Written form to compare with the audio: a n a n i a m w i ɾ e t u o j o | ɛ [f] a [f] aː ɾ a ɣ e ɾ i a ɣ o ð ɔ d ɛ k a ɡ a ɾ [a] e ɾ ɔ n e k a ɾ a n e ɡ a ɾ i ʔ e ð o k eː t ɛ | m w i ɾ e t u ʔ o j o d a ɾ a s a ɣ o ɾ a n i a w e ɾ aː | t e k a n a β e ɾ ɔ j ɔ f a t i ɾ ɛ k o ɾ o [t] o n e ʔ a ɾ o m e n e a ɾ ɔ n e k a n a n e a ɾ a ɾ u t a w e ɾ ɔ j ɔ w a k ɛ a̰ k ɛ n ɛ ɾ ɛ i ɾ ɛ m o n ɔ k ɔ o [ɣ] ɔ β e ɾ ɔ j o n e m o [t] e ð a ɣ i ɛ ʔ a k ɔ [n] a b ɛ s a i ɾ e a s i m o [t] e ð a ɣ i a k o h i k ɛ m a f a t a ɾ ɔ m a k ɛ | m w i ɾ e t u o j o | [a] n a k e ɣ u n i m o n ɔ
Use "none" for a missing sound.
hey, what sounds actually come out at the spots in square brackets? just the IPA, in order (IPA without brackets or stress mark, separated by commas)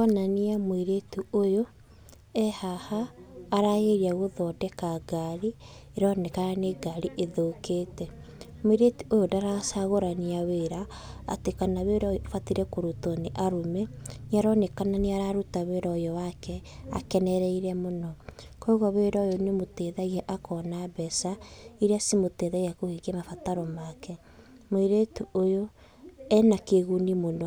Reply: h, h, i, t, ɣ, t, n, t, ɛ